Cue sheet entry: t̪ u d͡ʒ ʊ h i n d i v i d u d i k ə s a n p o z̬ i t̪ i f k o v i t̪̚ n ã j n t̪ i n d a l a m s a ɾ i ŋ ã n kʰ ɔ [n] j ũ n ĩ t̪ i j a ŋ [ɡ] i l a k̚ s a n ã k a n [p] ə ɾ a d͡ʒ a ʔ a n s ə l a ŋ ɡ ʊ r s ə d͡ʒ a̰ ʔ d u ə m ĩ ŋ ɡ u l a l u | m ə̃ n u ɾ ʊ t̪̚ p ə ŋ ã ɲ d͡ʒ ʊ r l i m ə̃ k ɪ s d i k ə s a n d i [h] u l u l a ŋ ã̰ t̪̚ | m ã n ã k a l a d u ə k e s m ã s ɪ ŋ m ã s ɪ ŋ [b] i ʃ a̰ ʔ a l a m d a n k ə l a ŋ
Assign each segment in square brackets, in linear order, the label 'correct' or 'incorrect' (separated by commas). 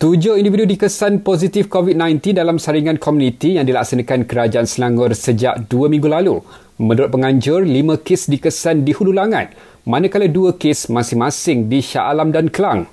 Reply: incorrect, incorrect, incorrect, correct, incorrect